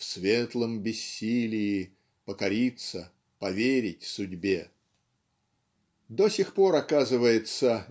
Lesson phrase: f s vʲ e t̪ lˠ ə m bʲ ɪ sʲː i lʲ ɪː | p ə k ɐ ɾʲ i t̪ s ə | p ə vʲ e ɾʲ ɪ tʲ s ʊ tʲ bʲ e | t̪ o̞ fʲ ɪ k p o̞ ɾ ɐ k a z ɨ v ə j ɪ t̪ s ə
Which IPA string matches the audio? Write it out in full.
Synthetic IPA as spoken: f s vʲ e t̪ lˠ ə m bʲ ɪ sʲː i lʲ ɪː | p ə k ɐ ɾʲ i t̪ s ə | p ɐ vʲ e ɾʲ ɪ tʲ s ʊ dʲ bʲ e | d̪ o̞ sʲ ɪ x p o̞ ɾ ɐ k a z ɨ v ə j ɪ t̪ s ə